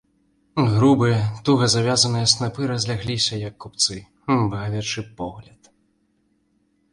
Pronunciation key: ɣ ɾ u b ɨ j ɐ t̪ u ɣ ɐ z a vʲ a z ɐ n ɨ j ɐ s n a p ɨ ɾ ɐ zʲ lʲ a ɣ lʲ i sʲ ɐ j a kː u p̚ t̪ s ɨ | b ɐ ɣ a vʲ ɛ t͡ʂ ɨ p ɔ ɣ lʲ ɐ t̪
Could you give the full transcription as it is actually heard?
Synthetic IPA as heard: ɣ ɾ u b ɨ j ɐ t̪ u ɣ ɐ z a vʲ a z ɐ n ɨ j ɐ s n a p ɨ ɾ ɐ zʲ lʲ a ɣ lʲ i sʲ ɐ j ɐ kː u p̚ t̪ s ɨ | b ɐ ɣ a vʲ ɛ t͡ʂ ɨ p ɔ ɣ lʲ ɐ t̪